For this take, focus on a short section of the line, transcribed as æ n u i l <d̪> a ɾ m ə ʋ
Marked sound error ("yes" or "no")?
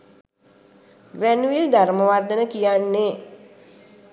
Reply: no